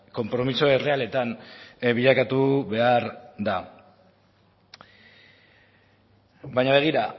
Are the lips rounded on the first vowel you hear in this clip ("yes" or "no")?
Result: yes